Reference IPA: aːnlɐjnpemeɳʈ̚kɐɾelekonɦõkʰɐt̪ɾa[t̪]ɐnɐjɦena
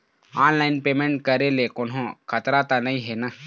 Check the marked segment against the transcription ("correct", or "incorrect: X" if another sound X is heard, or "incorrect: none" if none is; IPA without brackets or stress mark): correct